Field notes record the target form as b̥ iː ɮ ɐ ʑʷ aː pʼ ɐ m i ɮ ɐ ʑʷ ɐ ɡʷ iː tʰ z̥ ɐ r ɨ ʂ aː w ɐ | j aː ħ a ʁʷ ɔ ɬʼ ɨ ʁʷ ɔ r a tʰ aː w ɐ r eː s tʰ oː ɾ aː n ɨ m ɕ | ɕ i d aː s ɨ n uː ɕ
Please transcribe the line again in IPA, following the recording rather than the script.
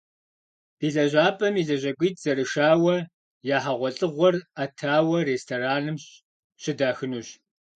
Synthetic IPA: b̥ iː ɮ ɐ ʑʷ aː pʼ ɐ m i ɮ ɐ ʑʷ ɐ ɡʷ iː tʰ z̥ ɐ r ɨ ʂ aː w ɐ | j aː ħ a ʁʷ ɔ ɬʼ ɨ ʁʷ ɔ r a tʰ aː w ɐ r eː s tʰ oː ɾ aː n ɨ m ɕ | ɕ ɪ d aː x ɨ n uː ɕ